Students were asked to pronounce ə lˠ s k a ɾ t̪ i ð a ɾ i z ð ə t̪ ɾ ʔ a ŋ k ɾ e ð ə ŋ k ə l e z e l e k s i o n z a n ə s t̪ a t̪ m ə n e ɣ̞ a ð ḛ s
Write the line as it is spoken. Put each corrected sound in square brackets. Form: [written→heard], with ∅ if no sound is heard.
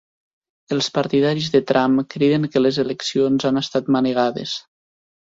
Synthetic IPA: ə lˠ s [k→p] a ɾ t̪ i ð a ɾ i z ð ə t̪ ɾ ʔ a [ŋ→m] k ɾ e ð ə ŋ k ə l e z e l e k s i o n z a n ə s t̪ a t̪ m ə n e ɣ̞ a ð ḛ s